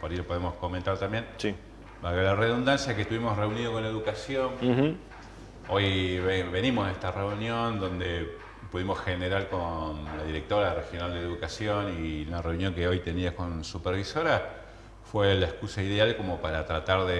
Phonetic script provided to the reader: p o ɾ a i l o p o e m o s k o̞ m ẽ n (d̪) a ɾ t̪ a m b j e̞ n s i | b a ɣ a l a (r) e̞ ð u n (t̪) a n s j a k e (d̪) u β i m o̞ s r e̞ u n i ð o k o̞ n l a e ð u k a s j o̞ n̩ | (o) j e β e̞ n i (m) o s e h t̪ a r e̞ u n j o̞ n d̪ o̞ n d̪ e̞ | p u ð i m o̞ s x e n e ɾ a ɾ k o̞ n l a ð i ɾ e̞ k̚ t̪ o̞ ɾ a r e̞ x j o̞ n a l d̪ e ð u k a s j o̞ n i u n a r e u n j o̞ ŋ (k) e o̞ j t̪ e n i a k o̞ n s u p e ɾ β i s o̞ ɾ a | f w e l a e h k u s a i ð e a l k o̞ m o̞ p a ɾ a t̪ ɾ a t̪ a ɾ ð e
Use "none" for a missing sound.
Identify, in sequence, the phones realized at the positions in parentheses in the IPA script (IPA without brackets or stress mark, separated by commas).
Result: t̪, r, d̪, t̪, o, m, k